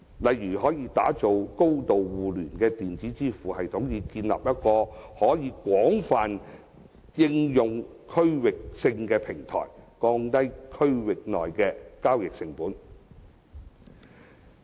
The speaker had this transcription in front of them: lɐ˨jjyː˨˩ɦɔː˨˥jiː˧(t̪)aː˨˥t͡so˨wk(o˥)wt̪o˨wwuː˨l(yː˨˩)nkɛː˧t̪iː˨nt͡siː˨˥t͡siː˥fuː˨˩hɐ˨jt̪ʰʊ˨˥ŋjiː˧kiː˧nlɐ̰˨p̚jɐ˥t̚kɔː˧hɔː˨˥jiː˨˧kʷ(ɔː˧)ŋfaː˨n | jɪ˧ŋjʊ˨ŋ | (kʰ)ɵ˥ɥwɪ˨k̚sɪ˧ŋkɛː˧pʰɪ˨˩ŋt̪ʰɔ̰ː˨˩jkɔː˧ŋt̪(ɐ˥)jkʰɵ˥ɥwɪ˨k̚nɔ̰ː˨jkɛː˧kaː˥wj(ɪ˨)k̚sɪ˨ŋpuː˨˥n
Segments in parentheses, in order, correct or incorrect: correct, correct, correct, incorrect: ɔː˨˥, correct, correct, correct

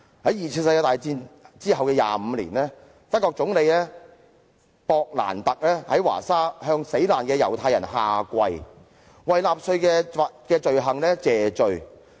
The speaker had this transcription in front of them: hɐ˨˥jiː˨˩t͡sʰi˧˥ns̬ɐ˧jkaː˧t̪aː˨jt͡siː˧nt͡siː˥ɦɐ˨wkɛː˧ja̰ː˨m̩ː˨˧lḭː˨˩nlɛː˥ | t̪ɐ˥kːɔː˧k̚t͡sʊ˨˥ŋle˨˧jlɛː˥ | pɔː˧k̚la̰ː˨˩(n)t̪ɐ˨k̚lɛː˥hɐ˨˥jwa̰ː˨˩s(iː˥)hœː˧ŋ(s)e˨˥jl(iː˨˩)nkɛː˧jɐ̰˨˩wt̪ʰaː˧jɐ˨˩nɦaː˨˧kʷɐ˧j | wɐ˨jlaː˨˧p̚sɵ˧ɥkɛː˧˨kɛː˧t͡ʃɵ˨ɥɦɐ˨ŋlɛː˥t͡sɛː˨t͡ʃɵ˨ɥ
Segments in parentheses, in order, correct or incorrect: correct, incorrect: aː˥, correct, incorrect: aː˨˩

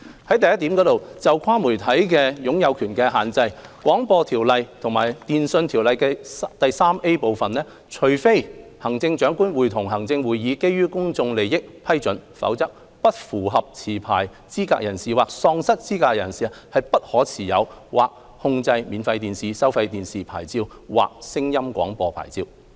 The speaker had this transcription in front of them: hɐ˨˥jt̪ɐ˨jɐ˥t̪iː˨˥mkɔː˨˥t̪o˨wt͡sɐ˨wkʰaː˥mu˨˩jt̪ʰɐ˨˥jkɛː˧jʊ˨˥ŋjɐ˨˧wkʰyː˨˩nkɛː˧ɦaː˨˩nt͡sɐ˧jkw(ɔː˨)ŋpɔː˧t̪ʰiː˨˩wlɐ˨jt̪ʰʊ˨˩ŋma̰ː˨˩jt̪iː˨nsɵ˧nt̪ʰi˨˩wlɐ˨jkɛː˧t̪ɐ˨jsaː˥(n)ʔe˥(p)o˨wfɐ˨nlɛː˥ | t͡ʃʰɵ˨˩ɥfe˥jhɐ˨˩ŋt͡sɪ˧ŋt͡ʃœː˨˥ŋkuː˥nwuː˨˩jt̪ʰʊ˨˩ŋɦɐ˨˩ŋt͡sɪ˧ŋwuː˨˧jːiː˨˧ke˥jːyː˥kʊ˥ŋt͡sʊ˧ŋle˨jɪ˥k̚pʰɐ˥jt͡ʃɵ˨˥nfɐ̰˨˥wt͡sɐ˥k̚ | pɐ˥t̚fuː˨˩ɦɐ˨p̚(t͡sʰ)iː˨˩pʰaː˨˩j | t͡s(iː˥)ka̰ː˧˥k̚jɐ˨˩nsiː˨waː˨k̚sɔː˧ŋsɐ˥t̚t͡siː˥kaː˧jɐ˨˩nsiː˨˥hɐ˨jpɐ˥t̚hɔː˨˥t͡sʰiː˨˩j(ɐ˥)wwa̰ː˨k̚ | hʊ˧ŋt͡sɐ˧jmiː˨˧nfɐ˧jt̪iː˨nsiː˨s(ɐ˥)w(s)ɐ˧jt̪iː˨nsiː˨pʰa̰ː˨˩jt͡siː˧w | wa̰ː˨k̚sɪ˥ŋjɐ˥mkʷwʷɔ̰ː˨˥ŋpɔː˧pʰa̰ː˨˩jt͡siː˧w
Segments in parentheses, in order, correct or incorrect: incorrect: ɔː˨˥, incorrect: m, correct, correct, correct, incorrect: ɐ˨˧, correct, incorrect: f

